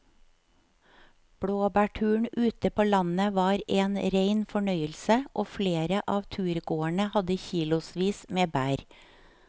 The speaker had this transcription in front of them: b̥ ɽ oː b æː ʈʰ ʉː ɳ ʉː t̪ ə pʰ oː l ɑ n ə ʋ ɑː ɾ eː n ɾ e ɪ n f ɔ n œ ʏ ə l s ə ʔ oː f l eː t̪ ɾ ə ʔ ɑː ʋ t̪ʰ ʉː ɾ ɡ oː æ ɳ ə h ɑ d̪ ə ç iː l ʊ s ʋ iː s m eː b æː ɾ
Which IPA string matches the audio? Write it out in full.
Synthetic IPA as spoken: b̥ ɽ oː b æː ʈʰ ʉː ɳ ʉː t̪ ə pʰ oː l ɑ n ə ʋ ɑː ɾ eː n ɾ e ɪ n f ɔ ɳ œ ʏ ə l s ə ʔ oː f l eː ɾ ə ʔ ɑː ʋ t̪ʰ ʉː ɾ ɡ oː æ ɳ ə h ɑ d̪ ə ç iː l ʊ s ʋ iː s m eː b æː ɾ